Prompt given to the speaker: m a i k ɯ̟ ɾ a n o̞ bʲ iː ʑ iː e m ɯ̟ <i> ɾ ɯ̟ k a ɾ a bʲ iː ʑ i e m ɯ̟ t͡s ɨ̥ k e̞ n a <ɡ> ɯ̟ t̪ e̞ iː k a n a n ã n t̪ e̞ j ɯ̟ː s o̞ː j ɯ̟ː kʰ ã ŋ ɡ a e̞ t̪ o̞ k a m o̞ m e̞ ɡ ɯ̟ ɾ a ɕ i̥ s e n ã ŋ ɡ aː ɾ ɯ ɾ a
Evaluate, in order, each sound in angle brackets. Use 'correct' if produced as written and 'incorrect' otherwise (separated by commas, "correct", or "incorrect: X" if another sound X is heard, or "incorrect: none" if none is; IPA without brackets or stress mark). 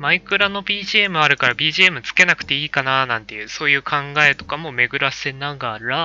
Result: incorrect: a, incorrect: k